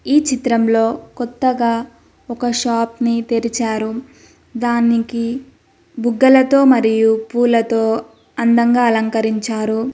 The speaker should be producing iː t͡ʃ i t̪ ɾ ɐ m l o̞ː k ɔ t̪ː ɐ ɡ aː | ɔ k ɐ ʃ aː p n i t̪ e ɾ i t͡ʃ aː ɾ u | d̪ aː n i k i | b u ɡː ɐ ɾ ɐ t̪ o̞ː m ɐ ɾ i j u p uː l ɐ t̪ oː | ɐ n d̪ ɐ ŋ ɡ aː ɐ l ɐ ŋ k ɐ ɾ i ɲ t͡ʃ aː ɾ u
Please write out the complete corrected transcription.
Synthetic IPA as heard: iː t͡ʃ i t̪ ɾ ɐ m l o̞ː k ɔ t̪ː ɐ ɡ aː | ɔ k ɐ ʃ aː p n i t̪ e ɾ i t͡ʃ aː ɾ u | d̪ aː n i k i | b u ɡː ɐ l ɐ t̪ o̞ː m ɐ ɾ i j u p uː l ɐ t̪ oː | ɐ n d̪ ɐ ŋ ɡ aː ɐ l ɐ ŋ k ɐ ɾ i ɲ t͡ʃ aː ɾ u

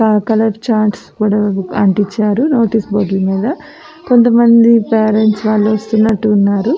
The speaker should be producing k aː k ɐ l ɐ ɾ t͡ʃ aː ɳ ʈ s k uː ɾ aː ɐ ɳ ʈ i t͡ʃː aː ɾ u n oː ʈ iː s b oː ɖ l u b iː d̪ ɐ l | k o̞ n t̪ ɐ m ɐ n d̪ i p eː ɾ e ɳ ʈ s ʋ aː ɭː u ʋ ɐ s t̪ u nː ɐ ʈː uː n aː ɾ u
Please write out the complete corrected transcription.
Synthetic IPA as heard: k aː k ɐ l ɐ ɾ t͡ʃ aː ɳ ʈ s k uː ɽ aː ɐ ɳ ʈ i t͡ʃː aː ɾ u n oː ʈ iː s b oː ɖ l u m iː d̪ ɐ | k o̞ n t̪ ɐ m ɐ n d̪ i p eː ɾ e ɳ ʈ s ʋ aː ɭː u ʋ ɐ s t̪ u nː ɐ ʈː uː nː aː ɾ u

